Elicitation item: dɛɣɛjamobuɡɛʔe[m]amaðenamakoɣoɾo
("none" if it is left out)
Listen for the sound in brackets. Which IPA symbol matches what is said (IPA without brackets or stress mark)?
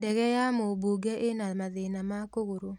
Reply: n